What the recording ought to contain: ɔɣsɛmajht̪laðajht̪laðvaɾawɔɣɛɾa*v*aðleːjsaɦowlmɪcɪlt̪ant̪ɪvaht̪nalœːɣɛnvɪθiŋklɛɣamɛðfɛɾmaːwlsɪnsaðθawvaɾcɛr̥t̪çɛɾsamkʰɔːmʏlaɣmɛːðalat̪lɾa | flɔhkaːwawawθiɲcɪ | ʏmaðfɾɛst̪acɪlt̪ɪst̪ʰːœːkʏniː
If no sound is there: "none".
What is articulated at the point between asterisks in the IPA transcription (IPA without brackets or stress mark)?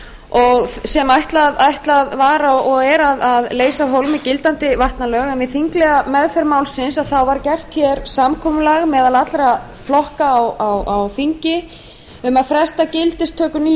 ð